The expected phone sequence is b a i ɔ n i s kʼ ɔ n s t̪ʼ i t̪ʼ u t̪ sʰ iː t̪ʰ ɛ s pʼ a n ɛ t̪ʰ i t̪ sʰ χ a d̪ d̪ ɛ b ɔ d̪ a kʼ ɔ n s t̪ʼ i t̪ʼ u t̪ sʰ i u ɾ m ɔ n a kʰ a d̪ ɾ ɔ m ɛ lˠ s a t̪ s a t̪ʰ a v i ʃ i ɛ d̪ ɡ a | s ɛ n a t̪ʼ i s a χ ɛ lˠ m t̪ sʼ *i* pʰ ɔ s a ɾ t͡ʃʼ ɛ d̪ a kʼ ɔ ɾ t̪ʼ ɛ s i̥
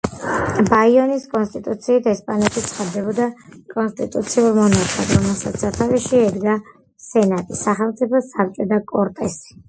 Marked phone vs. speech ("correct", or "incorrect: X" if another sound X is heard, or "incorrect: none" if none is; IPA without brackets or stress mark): correct